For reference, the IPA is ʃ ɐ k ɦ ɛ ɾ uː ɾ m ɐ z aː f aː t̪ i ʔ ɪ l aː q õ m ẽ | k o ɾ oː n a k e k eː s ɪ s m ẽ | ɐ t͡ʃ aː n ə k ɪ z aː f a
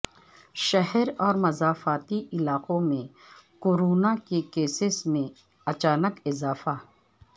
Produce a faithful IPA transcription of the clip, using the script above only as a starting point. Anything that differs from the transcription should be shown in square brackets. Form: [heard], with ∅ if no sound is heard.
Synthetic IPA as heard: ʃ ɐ [∅] ɦ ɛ ɾ [ɔː] ɾ m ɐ z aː f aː t̪ i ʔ ɪ l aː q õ m ẽ | k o ɾ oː n a k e k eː s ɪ s m ẽ | ɐ t͡ʃ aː n ə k ɪ z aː f a